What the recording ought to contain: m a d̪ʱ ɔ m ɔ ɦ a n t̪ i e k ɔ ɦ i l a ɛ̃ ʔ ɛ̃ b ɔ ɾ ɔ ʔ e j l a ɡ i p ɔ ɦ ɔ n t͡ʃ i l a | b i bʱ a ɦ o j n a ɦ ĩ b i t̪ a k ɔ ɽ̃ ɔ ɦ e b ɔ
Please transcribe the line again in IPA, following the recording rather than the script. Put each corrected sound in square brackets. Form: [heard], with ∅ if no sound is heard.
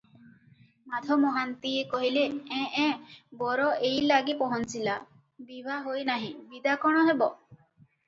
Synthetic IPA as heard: m a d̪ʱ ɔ m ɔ ɦ a n t̪ i e k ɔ ɦ i l [e] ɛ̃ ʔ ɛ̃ b ɔ ɾ ɔ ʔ e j l a ɡ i p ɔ ɦ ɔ n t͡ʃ i l a | b i bʱ a ɦ o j n a ɦ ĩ b i [d̪] a k ɔ ɽ̃ ɔ ɦ e b ɔ